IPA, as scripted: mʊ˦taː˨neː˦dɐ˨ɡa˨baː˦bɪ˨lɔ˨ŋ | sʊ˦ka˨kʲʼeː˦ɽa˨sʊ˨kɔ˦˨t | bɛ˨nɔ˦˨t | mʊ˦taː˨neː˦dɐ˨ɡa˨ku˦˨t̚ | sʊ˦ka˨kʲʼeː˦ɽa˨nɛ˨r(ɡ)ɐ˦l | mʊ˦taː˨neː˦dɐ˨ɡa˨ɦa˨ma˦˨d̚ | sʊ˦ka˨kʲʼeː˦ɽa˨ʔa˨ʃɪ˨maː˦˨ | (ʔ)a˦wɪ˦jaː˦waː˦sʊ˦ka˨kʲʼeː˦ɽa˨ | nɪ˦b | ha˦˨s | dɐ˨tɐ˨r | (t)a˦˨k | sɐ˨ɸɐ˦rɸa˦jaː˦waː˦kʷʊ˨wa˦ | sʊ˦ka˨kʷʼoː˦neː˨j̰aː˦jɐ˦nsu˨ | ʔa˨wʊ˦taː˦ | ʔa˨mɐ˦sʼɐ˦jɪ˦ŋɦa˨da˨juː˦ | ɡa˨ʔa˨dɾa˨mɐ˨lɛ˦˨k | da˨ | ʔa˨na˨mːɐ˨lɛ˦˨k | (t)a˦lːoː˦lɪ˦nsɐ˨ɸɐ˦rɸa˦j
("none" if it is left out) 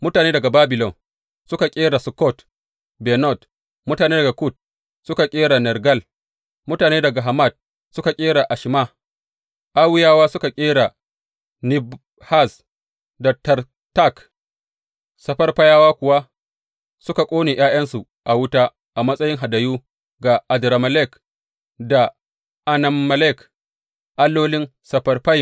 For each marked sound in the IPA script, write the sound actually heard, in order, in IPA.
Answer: ɡ, ʔ, t, ʔ

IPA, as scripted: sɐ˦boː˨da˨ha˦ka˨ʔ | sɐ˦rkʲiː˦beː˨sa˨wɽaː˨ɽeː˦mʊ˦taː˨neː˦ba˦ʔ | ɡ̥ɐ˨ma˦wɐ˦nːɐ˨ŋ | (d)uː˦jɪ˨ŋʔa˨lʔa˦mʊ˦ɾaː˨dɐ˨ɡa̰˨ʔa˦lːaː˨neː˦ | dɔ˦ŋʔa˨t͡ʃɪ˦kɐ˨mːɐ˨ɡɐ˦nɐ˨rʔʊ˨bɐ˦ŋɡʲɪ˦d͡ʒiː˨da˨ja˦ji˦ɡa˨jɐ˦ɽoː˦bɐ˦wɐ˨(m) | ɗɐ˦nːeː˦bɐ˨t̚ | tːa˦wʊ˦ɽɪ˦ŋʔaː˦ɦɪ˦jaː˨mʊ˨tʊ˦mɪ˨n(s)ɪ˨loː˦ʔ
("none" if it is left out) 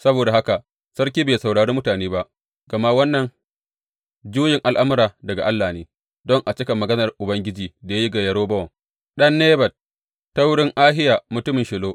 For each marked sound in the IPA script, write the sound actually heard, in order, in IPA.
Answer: d͡ʒ, ŋ, ʃ

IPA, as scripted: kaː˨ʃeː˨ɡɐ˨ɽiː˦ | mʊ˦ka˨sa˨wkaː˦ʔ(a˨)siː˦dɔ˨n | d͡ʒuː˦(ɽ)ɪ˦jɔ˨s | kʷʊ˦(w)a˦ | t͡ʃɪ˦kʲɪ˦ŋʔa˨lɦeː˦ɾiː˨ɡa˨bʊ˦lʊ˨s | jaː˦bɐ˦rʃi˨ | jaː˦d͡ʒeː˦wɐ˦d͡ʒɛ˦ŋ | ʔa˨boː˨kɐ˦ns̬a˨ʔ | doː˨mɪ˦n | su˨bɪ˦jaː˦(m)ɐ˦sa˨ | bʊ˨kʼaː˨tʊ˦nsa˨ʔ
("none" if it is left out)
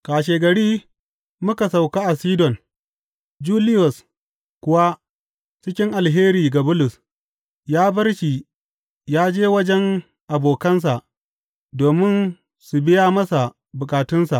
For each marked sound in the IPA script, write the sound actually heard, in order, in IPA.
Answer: a˨, l, w, m

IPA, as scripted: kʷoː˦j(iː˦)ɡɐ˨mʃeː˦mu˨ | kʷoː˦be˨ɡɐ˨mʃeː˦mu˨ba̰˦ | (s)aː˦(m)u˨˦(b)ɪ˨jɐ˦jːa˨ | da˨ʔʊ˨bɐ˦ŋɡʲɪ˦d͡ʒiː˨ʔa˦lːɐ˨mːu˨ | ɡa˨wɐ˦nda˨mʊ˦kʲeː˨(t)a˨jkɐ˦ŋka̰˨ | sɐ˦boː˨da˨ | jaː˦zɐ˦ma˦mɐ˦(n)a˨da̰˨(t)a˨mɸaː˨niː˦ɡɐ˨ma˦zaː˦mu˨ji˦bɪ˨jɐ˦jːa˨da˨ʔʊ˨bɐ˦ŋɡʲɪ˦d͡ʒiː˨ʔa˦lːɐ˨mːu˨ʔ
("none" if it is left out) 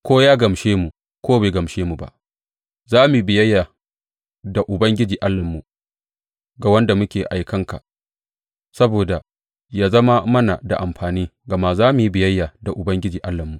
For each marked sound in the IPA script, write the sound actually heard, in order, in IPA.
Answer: aː˦, z, m, b, ʔ, n, ʔ

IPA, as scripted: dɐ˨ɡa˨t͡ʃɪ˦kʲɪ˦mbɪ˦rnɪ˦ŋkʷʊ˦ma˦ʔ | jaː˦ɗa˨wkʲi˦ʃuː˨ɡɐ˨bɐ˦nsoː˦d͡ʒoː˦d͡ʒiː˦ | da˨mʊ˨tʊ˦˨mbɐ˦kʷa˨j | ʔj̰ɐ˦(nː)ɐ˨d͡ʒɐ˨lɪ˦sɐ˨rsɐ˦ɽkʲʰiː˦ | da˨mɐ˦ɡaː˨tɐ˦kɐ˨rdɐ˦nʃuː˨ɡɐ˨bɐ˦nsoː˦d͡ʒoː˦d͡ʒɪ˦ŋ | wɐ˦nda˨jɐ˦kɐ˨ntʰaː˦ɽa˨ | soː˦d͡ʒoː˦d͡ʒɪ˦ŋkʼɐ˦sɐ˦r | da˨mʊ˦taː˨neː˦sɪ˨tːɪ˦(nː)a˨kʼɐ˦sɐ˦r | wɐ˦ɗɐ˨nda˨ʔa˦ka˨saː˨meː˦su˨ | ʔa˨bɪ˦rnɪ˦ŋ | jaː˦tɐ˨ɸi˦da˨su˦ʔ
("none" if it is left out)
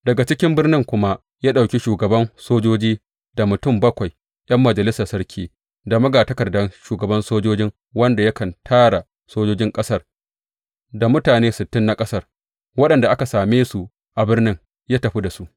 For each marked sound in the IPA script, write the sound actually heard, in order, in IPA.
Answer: mː, nː

